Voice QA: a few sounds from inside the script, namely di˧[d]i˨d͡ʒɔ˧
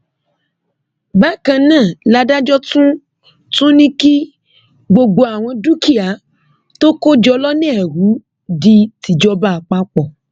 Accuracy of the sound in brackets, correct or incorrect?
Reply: incorrect